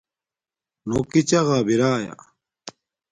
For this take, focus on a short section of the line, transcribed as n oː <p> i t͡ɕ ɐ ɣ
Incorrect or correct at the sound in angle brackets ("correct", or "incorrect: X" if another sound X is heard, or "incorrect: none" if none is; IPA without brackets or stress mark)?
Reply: incorrect: k